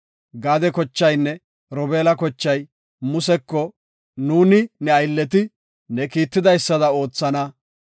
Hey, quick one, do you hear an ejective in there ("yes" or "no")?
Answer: no